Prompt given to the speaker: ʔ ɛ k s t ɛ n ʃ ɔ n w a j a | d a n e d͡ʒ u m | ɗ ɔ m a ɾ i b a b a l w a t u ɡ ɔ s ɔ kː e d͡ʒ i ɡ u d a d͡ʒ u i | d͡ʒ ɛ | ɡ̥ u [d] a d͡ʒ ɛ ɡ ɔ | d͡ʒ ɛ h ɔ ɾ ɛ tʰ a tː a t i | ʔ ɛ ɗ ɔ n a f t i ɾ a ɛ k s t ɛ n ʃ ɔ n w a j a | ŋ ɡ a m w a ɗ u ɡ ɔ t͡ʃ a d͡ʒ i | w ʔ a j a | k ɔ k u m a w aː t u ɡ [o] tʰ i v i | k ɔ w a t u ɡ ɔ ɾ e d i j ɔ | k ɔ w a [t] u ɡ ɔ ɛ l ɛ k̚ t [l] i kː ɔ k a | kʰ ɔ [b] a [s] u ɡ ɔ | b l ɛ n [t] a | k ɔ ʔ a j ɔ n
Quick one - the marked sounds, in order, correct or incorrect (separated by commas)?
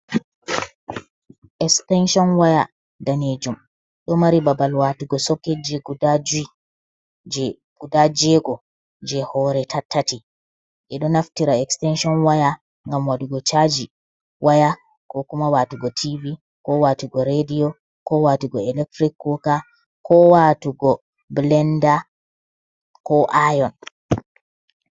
correct, incorrect, correct, incorrect, incorrect, incorrect, incorrect